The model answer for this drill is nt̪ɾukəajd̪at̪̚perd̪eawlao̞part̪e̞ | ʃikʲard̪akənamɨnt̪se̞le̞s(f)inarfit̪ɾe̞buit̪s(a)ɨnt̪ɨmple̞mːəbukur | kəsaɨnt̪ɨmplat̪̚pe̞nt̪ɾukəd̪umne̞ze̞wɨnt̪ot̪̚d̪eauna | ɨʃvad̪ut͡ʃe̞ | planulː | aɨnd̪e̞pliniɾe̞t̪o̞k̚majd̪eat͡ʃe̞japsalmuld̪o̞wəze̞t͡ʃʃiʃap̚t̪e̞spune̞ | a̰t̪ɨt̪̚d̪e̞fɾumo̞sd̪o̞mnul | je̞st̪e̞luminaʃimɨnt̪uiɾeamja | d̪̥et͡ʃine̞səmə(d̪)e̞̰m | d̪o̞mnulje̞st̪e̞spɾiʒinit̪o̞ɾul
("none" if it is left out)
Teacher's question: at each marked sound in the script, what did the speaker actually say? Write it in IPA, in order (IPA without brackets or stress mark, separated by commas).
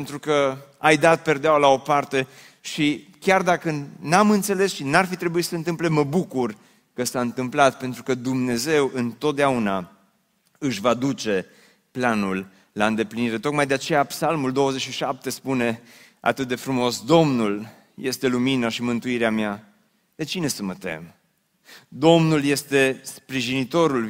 ʃ, ə, t̪